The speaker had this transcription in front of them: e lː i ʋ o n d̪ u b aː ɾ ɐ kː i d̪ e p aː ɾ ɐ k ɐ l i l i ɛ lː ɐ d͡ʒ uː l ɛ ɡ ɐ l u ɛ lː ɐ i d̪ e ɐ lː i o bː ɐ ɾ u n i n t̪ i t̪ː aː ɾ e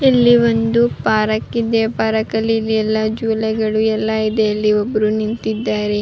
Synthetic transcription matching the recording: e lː i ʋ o n d̪ u p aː ɾ ɐ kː i d̪ e p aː ɾ ɐ k ɐ l i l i ɛ lː ɐ d͡ʒ uː l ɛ ɡ ɐ ɭ u ɛ lː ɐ i d̪ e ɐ lː i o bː ɐ ɾ u n i n t̪ i d̪ː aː ɾ e